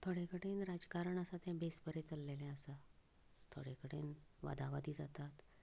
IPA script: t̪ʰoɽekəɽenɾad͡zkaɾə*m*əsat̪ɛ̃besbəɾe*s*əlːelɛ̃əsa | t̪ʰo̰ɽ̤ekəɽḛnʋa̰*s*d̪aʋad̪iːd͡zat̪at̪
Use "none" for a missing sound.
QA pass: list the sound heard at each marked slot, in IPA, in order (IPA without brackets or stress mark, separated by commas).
ɳ, t͡s, none